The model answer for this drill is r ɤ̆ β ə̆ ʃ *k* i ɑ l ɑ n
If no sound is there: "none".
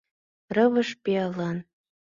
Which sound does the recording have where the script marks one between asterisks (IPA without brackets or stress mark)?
p